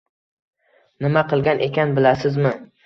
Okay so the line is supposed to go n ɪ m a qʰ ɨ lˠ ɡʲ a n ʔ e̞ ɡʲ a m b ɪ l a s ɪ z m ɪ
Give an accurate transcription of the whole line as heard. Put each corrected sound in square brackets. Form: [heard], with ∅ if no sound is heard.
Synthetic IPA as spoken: n ɪ m a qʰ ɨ lˠ ɡʲ a n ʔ e̞ [kʲ] a [n] b ɪ l a s ɪ z m ɪ